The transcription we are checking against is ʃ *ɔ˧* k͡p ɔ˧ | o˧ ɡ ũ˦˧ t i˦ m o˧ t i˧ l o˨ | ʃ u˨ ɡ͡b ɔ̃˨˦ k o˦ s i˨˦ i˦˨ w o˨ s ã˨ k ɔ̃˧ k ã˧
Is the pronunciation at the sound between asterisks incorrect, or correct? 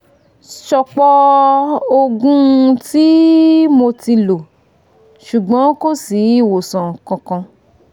correct